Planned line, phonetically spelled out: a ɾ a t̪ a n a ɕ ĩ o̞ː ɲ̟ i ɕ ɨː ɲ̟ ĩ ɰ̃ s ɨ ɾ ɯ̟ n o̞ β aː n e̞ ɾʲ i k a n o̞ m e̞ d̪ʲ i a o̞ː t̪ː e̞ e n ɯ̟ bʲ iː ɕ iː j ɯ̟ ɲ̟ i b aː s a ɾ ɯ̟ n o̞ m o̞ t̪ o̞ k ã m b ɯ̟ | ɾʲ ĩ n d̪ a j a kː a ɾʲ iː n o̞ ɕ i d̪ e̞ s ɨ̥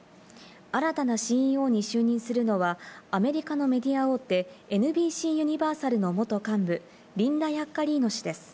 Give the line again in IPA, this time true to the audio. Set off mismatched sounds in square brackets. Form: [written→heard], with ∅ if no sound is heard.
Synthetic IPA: a ɾ a t̪ a n a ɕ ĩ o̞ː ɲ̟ i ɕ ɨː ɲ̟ ĩ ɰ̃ s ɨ ɾ ɯ̟ n o̞ β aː [n→m] e̞ ɾʲ i k a n o̞ m e̞ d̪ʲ i a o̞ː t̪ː e̞ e n ɯ̟ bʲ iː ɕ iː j ɯ̟ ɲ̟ i b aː s a ɾ ɯ̟ n o̞ m o̞ t̪ o̞ k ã m b ɯ̟ | ɾʲ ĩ n d̪ a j a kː a ɾʲ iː n o̞ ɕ i d̪ e̞ s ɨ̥